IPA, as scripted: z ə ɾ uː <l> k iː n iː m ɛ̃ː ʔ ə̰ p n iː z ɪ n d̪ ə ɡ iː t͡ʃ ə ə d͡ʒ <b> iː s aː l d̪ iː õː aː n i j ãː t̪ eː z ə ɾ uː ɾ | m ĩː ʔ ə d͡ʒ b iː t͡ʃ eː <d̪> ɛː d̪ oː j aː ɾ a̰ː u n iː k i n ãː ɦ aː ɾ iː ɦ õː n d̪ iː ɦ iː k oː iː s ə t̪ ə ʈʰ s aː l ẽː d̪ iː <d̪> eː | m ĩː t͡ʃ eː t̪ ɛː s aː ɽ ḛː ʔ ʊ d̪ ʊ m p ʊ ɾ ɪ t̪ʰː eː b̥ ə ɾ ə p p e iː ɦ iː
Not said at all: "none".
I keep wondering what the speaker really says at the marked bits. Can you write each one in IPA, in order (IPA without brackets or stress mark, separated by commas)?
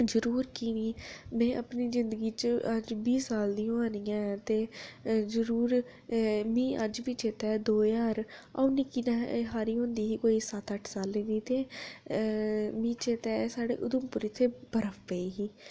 ɾ, b, t̪, t̪